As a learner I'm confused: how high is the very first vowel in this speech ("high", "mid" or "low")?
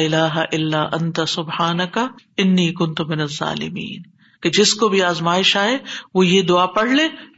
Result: high